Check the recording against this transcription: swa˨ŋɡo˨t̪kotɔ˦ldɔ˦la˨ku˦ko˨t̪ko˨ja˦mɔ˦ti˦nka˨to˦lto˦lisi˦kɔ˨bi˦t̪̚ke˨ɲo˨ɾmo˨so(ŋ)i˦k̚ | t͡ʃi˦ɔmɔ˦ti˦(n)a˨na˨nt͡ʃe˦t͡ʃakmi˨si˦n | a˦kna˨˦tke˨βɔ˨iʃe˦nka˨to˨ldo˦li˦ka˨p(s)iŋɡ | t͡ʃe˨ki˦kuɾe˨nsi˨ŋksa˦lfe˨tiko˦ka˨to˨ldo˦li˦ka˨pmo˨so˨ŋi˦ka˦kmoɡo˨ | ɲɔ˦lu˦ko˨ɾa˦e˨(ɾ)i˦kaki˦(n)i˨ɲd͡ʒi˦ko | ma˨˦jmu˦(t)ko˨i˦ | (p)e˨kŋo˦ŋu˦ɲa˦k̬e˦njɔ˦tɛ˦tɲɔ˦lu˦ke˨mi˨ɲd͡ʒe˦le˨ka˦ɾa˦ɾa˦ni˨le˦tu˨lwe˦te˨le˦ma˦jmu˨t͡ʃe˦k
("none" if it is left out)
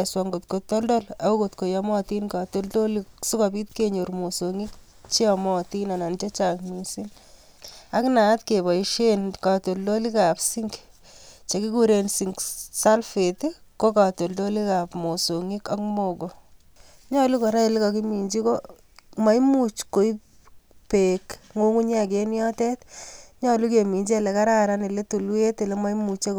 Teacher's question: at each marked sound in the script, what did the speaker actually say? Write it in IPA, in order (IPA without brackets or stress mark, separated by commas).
ŋ, n, s, l, m, t͡ʃ, p